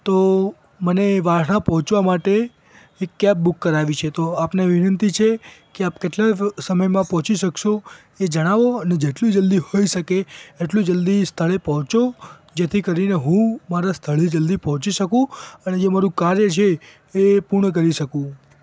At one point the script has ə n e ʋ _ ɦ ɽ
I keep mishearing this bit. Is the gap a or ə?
a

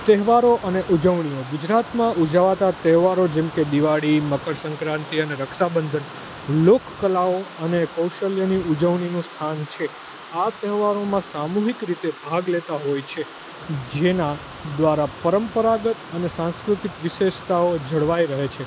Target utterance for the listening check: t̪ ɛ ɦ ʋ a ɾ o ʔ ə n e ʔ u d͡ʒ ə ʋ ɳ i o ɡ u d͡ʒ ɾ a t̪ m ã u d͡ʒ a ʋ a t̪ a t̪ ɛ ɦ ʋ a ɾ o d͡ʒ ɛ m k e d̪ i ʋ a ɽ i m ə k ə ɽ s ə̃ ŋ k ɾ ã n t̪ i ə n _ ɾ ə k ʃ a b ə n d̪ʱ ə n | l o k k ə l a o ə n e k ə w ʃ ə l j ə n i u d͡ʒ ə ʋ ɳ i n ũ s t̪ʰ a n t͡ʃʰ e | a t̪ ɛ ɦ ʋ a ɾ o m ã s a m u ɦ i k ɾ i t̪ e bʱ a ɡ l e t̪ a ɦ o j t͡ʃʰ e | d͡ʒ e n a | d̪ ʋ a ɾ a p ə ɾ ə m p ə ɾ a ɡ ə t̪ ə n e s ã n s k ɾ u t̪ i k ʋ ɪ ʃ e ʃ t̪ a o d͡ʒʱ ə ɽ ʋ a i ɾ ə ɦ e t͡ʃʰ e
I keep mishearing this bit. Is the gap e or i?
e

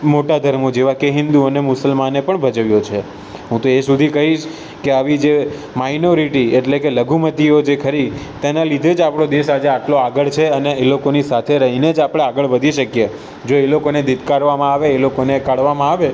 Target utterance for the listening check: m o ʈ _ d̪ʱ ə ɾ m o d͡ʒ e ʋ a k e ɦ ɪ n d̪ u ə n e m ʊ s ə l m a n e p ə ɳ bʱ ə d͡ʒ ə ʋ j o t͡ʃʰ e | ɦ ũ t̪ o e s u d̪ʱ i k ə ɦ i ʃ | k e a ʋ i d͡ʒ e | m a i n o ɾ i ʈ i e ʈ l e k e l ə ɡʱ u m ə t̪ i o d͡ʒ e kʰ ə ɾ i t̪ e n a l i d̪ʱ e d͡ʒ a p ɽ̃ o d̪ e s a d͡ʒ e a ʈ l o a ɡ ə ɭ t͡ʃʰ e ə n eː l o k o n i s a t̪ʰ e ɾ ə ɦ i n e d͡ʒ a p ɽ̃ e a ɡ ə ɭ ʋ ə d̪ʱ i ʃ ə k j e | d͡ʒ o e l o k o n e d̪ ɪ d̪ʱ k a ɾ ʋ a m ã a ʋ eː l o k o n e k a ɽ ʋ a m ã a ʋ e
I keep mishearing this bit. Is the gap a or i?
a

